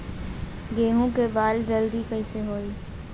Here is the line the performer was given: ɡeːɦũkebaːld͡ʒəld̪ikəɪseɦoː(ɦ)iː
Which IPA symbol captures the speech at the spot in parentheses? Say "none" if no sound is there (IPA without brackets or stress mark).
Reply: none